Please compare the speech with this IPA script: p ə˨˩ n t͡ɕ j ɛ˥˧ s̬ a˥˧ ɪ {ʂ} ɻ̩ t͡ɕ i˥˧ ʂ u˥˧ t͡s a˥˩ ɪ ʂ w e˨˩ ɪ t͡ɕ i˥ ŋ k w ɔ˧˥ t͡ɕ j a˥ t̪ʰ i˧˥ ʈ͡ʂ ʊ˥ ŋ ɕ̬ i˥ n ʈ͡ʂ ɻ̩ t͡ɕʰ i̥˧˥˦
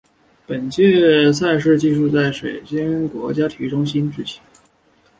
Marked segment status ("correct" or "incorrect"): correct